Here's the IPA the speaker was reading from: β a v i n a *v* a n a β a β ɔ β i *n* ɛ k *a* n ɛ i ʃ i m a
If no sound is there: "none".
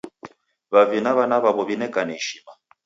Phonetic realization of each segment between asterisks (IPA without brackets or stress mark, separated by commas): β, n, a